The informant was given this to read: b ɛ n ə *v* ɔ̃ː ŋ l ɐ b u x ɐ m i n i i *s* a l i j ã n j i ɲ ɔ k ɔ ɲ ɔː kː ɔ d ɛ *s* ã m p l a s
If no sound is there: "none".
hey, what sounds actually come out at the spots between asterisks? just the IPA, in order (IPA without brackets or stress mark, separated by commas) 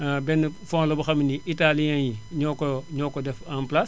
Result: f, t, f